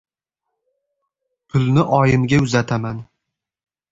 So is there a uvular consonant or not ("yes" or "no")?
no